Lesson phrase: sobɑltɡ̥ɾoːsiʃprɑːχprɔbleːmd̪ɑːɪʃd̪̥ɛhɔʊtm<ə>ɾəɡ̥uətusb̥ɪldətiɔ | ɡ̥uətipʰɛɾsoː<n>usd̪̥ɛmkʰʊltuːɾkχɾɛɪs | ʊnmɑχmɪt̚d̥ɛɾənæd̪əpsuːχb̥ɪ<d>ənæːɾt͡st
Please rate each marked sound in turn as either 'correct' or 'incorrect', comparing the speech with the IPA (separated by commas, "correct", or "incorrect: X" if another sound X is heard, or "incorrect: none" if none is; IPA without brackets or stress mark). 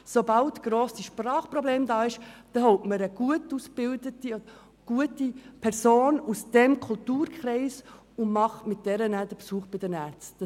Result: correct, correct, correct